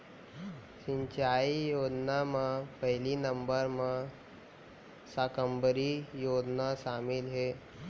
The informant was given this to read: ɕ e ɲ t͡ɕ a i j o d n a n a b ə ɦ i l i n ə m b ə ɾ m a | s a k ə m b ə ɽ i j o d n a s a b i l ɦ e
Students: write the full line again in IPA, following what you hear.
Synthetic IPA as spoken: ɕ i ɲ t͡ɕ a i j o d n a m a p ə ɦ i l i n ə m b ə ɾ m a | s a k ə m b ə ɾ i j o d n a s a m i l ɦ e